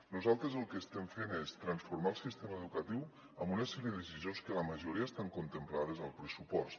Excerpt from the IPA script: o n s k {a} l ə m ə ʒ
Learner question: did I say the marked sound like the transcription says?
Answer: no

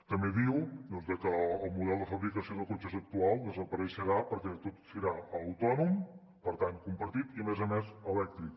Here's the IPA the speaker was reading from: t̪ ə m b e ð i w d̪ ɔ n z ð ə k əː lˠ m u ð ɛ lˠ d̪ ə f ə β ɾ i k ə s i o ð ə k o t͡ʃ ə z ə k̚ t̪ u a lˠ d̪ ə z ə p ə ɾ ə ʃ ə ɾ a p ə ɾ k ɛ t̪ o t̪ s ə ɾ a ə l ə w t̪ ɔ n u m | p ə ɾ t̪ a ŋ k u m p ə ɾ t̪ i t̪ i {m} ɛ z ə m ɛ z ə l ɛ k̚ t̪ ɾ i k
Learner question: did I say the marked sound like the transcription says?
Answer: yes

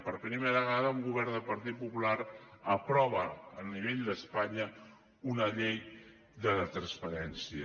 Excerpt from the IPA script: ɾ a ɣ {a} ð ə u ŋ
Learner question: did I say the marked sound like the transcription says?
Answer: yes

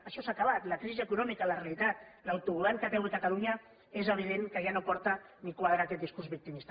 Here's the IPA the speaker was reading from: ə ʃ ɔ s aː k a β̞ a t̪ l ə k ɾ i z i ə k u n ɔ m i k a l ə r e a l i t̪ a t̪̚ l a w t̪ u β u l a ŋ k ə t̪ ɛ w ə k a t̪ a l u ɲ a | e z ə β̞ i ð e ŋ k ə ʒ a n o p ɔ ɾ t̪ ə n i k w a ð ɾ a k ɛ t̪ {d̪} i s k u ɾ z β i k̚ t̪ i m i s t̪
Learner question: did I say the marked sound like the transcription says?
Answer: yes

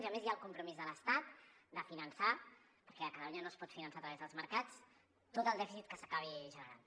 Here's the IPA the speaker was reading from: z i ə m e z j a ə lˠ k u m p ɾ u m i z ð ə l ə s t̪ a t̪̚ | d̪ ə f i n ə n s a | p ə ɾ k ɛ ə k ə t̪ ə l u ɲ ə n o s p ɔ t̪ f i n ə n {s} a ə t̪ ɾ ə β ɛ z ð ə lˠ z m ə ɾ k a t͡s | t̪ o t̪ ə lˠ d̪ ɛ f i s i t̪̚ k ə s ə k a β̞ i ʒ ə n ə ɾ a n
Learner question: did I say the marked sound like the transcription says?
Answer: yes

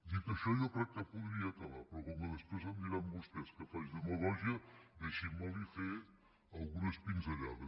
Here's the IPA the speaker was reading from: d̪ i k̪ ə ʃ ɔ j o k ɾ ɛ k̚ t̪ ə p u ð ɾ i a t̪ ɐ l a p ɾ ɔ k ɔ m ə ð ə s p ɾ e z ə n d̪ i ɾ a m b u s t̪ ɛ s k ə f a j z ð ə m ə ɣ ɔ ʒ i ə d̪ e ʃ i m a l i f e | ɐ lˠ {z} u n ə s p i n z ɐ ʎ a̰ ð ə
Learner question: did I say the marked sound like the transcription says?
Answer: no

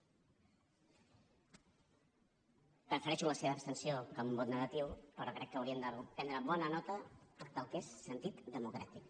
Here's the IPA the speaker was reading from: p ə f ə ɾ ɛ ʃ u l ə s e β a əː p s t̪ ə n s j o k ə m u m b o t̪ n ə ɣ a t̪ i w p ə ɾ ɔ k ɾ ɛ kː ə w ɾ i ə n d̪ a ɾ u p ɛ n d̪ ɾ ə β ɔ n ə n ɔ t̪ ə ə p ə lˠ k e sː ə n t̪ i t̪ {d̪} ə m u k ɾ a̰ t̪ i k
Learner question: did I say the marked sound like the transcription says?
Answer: yes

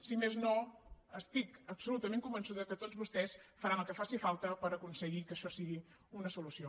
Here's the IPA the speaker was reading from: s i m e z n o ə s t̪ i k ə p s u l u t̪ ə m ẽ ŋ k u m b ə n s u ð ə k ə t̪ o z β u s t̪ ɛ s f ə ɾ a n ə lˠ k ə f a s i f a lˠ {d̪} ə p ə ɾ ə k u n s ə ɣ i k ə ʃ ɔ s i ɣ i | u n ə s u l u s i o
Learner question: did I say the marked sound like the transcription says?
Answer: no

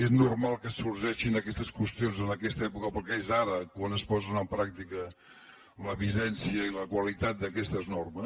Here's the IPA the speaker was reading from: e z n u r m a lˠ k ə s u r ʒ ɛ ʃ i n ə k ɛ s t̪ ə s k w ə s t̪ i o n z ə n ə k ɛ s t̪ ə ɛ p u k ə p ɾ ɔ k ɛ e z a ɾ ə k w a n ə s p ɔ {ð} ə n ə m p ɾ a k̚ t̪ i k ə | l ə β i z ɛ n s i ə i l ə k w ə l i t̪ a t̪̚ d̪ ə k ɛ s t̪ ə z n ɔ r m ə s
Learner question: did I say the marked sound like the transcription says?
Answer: no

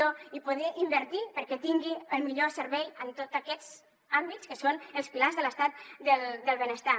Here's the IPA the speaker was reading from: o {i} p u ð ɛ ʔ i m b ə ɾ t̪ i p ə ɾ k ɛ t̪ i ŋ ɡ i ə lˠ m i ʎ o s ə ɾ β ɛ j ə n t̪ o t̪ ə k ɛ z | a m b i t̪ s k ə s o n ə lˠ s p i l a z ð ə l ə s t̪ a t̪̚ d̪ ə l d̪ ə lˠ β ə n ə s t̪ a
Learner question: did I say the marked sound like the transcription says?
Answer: yes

